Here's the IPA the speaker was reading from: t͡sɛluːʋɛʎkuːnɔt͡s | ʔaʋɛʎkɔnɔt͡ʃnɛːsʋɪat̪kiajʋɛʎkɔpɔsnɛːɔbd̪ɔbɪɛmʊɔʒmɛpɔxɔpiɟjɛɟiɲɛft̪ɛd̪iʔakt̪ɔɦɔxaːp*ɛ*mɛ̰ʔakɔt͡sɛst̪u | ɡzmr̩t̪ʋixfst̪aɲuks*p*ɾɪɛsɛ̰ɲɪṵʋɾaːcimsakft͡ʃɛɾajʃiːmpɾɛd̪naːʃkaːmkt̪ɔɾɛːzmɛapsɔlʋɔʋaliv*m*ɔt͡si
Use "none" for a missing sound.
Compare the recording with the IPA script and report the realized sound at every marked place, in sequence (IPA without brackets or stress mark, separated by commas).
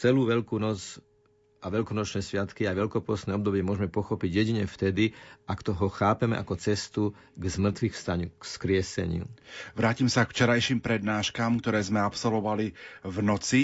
ɛ, k, n